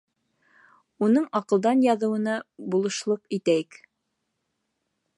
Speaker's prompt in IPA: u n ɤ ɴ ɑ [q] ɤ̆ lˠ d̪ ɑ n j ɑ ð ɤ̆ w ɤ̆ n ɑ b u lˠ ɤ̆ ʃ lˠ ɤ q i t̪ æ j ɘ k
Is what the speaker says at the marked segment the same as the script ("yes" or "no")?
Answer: yes